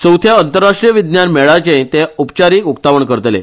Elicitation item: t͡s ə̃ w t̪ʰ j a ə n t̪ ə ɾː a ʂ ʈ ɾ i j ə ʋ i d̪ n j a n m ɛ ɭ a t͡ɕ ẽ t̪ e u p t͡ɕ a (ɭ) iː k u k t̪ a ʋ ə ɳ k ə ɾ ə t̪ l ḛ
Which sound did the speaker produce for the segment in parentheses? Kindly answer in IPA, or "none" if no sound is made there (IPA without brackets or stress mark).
ɾ